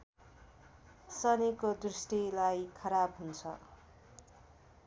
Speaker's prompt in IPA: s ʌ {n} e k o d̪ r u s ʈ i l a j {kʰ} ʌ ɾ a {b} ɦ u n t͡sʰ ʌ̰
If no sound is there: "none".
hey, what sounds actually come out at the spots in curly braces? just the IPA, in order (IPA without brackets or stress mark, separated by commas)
n, kʰ, b